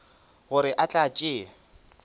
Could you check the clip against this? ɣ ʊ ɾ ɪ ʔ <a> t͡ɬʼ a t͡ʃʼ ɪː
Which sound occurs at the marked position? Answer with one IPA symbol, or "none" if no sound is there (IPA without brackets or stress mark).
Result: a